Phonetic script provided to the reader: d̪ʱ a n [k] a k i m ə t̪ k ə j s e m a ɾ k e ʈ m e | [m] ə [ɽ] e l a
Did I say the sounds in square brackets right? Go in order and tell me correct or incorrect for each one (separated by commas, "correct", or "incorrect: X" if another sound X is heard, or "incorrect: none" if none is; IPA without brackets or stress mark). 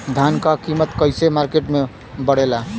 correct, incorrect: b, correct